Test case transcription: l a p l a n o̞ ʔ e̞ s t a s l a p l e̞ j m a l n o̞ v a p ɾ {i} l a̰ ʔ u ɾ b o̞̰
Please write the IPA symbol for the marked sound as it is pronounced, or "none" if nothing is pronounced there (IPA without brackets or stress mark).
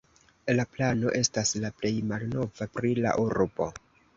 i